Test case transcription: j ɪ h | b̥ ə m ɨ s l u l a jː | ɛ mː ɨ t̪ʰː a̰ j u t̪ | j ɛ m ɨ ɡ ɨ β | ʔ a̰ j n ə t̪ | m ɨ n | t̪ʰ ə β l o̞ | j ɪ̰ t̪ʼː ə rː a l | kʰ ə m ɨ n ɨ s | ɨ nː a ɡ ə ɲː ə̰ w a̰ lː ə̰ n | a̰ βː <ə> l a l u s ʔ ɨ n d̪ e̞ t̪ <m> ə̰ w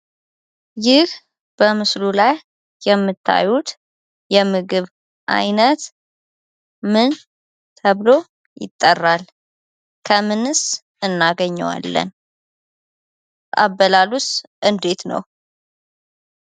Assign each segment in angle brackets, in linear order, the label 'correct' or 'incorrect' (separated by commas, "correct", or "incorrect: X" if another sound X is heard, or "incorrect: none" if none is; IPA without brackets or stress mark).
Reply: correct, incorrect: n